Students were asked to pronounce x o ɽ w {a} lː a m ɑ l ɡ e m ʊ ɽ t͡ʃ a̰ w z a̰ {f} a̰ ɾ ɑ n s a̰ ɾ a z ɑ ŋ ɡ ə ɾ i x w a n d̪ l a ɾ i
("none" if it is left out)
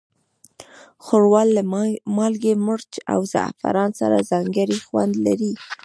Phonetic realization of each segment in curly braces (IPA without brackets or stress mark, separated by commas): ɑ, f